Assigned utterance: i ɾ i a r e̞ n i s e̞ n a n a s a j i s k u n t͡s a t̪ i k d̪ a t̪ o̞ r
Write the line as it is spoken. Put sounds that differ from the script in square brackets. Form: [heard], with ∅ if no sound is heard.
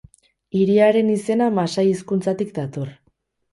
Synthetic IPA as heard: i ɾ i a [ɾ] e̞ n i s e̞ n a [m] a s a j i s k u n t͡s a t̪ i k d̪ a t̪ o̞ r